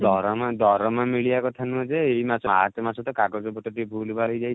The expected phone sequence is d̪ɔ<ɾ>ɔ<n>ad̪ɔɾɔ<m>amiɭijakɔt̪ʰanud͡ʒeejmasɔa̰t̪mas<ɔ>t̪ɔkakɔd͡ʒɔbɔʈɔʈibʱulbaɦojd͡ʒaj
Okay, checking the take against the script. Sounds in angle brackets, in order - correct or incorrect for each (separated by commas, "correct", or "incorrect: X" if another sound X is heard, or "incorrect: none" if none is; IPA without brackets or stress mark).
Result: correct, incorrect: m, correct, correct